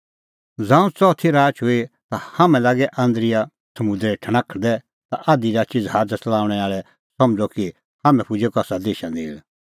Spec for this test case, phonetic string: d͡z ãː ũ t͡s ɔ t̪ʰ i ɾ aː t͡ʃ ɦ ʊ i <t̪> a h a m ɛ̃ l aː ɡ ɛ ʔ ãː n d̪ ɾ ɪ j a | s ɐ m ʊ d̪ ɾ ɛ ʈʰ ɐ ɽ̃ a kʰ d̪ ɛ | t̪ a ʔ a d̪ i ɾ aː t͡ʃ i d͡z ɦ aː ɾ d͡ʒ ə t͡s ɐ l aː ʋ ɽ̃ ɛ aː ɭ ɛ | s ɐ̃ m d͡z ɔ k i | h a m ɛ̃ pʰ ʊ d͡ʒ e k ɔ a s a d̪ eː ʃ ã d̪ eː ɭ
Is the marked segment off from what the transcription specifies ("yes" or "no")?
no